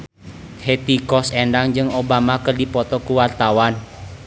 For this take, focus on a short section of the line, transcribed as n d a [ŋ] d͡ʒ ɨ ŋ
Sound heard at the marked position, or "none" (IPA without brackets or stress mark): ŋ